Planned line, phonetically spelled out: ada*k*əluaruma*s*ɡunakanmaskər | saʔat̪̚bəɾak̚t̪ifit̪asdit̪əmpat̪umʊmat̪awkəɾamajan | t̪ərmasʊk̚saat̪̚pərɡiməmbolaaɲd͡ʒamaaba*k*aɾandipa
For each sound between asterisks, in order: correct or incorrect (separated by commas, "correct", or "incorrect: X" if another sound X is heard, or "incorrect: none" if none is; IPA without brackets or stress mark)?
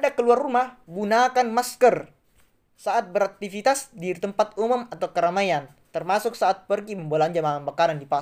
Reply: correct, incorrect: h, correct